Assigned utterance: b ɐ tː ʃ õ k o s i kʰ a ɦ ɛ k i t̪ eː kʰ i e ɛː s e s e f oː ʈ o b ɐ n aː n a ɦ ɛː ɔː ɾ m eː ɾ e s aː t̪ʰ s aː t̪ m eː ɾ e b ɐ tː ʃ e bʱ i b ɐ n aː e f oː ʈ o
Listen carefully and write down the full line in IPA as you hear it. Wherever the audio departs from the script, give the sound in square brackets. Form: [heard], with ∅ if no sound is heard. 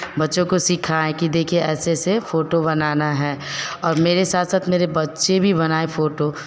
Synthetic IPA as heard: b ɐ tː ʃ õ k o s i kʰ a ɦ ɛ k i [d̪] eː kʰ i e ɛː s e s e f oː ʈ o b ɐ n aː n a ɦ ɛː ɔː ɾ m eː ɾ e s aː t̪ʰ s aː t̪ m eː ɾ e b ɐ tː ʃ e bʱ i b ɐ n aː e f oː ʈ o